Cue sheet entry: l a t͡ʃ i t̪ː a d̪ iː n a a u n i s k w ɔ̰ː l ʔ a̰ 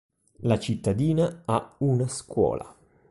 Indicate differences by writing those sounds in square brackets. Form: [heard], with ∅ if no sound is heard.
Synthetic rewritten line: l a t͡ʃ i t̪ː a d̪ iː n a a u n [a] s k w ɔ̰ː l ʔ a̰